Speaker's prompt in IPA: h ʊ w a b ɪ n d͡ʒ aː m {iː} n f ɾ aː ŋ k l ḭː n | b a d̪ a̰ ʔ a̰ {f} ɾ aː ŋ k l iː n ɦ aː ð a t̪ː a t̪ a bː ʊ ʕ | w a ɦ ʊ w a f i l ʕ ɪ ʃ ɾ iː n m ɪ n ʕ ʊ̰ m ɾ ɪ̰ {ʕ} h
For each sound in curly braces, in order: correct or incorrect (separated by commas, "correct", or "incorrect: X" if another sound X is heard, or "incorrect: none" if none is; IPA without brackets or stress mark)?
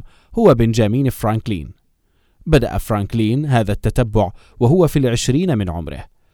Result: correct, correct, incorrect: none